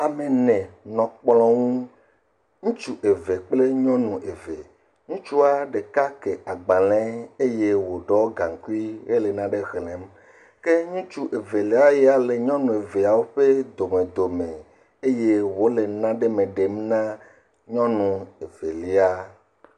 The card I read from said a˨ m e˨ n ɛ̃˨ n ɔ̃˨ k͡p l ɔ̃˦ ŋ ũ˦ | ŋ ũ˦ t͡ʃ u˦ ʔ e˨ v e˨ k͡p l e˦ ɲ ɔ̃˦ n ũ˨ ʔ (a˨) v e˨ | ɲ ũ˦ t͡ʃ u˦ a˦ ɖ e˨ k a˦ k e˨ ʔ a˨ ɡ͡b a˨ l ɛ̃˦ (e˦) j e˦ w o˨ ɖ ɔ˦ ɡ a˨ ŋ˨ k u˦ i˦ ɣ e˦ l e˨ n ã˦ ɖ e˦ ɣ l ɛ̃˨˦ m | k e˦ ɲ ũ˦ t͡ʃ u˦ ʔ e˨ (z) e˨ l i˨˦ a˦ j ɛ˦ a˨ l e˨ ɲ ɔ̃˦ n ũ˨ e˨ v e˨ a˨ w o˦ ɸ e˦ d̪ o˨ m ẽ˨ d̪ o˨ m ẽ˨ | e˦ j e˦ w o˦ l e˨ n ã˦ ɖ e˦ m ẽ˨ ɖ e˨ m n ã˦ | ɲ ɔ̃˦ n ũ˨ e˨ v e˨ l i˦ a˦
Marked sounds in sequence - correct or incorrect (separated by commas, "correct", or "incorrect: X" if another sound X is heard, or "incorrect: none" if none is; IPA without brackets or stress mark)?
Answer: incorrect: e˨, correct, incorrect: v